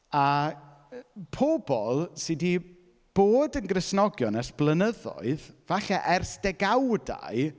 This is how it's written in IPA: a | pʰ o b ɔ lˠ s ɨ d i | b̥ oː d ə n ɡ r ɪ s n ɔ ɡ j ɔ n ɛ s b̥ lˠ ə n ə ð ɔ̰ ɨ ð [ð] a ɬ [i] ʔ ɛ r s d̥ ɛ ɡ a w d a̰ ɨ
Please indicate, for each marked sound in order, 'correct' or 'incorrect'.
incorrect: v, incorrect: ɛ

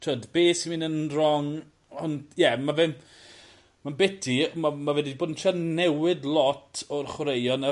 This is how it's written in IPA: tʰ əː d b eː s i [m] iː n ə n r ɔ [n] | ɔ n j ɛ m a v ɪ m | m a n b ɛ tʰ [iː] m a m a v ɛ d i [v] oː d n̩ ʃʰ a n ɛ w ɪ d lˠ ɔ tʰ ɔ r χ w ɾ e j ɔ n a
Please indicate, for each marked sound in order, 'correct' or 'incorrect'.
correct, incorrect: ŋ, incorrect: i, incorrect: b

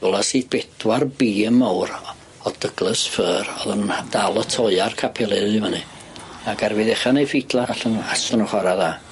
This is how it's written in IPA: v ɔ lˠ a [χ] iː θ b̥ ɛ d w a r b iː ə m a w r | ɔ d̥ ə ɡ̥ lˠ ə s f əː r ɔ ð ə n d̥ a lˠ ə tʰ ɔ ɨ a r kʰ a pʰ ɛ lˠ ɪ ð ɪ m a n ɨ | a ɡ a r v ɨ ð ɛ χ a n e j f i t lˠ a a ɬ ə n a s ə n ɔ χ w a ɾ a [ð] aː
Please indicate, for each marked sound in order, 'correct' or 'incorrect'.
incorrect: s, correct

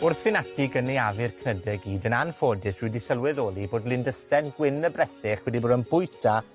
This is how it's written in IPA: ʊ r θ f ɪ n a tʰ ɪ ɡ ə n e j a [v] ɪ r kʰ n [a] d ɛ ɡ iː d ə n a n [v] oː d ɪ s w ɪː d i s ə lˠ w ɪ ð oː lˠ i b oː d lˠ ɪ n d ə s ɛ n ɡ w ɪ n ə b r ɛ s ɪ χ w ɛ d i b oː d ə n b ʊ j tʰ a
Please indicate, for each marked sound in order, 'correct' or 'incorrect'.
correct, incorrect: ə, incorrect: f

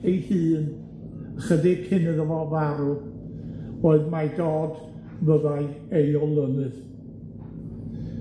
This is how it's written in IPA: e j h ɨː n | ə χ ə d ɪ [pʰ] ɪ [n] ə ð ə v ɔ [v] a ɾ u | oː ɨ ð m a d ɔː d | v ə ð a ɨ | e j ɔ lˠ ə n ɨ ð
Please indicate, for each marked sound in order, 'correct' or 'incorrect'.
incorrect: kʰ, correct, correct

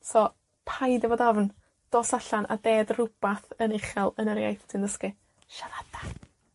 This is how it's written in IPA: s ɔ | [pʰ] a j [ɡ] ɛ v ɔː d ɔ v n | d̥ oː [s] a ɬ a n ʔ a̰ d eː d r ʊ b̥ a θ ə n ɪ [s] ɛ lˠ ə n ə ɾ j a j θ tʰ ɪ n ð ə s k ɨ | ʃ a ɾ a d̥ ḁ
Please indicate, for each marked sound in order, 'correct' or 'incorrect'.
correct, incorrect: d, correct, incorrect: χ

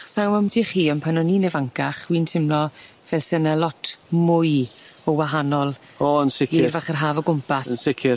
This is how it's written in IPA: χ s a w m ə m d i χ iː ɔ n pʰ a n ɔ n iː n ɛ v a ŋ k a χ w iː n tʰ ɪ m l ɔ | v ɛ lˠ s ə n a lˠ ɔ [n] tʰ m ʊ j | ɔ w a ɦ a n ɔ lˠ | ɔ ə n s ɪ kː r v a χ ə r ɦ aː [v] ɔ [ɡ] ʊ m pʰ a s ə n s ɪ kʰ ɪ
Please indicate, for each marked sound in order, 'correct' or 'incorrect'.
incorrect: none, correct, correct

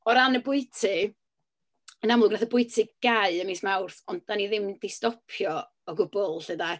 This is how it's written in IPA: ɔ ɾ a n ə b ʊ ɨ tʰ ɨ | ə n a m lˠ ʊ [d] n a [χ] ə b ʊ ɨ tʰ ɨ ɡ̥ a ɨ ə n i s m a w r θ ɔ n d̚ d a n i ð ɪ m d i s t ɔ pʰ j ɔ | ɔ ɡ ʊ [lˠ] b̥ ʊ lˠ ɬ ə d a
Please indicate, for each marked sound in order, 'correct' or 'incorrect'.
incorrect: ɡ, incorrect: θ, incorrect: none

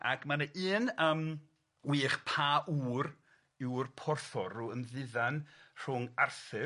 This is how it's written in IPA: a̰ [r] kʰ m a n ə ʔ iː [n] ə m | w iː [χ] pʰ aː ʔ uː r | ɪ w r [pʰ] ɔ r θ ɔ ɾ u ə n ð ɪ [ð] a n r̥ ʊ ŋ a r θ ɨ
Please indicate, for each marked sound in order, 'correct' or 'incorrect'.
incorrect: none, correct, correct, correct, correct

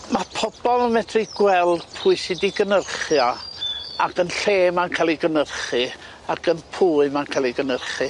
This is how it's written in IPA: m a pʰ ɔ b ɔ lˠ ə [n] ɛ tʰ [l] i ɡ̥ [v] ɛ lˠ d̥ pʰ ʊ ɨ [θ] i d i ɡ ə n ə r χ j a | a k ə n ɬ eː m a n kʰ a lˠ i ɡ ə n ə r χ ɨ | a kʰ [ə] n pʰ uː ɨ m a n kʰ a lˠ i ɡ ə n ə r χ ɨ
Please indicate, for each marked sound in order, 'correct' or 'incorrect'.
incorrect: m, incorrect: r, incorrect: w, incorrect: s, correct

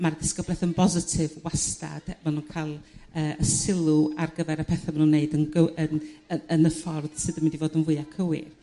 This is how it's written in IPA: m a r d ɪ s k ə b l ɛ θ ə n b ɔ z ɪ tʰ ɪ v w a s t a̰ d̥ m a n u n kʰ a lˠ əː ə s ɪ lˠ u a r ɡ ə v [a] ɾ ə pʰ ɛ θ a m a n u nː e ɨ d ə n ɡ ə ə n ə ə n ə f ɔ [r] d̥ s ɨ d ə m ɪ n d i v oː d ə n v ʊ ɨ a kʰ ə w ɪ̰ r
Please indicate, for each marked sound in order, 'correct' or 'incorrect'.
incorrect: ɛ, correct

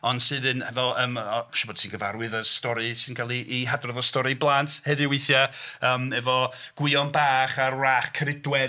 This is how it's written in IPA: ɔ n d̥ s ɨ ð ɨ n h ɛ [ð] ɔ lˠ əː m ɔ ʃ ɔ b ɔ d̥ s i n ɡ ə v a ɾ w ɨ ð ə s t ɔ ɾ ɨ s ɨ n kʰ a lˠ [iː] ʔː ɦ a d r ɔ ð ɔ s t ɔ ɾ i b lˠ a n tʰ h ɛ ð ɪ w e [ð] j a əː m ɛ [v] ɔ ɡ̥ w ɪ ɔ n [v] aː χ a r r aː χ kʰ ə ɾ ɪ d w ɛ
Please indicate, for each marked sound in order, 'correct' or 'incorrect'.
incorrect: v, incorrect: i, incorrect: θ, correct, incorrect: b

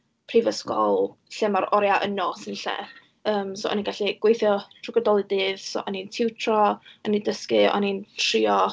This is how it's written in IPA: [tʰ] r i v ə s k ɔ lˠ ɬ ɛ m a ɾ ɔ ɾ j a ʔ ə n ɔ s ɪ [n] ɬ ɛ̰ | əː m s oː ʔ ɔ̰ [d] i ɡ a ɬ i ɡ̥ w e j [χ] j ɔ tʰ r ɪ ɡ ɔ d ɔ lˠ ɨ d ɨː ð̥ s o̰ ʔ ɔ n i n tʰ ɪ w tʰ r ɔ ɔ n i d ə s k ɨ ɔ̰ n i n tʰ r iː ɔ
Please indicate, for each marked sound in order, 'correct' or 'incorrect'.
incorrect: pʰ, correct, incorrect: n, incorrect: θ

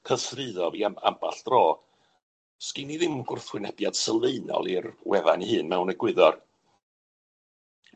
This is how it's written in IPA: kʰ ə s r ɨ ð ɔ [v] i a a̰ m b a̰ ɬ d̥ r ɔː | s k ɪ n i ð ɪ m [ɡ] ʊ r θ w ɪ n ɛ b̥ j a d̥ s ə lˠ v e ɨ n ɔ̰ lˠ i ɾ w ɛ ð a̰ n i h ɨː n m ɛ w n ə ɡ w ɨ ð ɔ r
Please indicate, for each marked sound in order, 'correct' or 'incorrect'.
correct, correct

